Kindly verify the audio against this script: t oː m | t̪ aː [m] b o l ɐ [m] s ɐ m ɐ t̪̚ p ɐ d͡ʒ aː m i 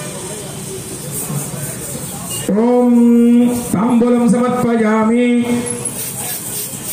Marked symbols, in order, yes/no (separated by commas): yes, yes